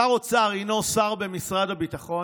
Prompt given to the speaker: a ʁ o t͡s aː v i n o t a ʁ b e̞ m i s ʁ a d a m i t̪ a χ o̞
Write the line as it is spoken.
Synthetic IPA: a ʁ o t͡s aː ʁ i n o s a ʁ b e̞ m i s ʁ a d a b i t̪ a χ o̞